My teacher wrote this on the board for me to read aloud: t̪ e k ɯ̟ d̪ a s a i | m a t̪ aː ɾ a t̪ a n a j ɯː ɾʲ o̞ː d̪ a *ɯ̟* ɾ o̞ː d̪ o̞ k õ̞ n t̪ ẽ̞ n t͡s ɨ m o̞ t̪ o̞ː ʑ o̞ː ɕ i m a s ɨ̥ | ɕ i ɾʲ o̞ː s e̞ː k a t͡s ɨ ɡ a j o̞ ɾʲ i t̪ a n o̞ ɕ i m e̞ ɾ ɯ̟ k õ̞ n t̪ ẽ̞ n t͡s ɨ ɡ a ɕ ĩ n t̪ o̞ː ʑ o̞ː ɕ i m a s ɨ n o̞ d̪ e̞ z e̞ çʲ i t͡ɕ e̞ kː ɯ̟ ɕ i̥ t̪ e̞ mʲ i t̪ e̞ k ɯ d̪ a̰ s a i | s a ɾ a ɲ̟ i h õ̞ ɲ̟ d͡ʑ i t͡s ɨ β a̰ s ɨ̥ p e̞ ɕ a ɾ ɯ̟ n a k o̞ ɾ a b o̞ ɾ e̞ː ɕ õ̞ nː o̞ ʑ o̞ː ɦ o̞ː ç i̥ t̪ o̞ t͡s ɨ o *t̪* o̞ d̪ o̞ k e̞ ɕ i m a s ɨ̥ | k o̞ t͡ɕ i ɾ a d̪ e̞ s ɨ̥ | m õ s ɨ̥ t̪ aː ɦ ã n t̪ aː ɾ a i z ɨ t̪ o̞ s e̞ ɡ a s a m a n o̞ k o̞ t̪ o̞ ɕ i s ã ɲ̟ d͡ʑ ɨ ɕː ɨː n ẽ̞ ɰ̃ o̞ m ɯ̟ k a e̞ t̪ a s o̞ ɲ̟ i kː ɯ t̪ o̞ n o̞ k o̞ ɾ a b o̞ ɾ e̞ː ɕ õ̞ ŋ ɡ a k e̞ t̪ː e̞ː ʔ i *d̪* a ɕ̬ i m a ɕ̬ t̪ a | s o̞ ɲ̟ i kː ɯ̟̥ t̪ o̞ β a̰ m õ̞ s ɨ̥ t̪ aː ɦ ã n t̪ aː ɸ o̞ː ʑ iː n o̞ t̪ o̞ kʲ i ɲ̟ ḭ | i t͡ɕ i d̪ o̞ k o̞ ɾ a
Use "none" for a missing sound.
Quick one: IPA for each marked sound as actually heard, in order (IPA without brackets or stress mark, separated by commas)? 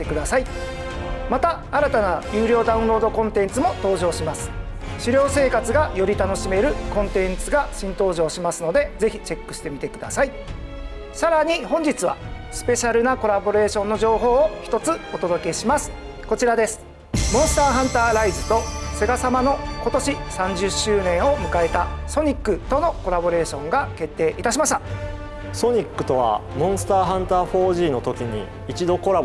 ɯ̟̃, t̪, t̪